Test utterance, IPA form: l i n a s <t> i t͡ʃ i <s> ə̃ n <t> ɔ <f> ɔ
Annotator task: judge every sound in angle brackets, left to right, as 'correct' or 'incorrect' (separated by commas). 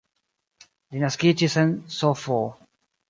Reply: incorrect, correct, incorrect, correct